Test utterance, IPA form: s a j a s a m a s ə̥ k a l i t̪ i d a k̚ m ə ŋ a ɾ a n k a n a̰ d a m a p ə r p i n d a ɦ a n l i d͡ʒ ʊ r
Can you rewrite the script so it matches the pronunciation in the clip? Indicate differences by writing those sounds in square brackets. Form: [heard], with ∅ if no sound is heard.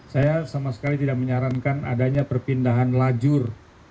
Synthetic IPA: s a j a s a m a s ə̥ k a l i t̪ i d a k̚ m ə [ɲ] a ɾ a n k a n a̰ d a [ɲ] a p ə r p i n d a ɦ a n l [a] d͡ʒ ʊ r